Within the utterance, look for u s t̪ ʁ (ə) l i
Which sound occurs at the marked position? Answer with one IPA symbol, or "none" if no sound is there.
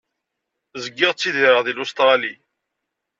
ɑ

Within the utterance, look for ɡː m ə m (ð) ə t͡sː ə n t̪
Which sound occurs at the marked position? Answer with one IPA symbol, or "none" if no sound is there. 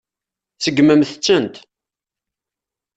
θ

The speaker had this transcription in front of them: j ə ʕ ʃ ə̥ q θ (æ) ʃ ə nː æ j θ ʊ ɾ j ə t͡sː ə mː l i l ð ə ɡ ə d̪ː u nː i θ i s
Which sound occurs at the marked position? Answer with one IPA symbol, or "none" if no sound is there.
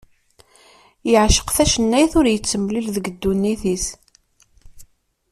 æ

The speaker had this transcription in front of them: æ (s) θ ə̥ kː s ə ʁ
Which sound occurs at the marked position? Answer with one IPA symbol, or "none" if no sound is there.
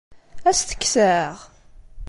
s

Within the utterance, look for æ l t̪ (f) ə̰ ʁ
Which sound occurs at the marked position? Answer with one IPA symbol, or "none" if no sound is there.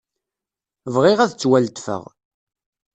f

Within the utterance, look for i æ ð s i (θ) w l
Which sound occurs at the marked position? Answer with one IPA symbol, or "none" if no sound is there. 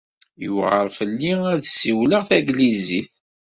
none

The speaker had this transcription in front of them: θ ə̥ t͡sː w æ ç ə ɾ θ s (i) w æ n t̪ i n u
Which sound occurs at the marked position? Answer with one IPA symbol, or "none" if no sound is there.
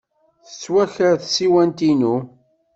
i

